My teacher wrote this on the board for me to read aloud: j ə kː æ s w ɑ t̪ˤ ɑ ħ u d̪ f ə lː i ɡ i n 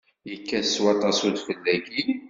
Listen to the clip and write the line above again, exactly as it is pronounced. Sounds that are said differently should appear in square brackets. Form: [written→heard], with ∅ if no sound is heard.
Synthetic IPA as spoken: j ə kː æ s w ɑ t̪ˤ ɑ [ħ→s] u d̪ f ə lː [i→æ] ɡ i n